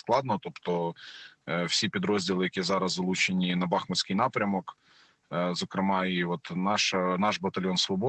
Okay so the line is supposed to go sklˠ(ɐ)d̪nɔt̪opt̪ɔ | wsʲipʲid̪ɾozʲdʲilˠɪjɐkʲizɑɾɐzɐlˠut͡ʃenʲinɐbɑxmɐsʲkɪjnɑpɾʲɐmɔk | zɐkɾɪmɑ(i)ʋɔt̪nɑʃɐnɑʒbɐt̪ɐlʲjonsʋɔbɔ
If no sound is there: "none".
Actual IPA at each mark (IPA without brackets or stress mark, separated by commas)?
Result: ɑ, i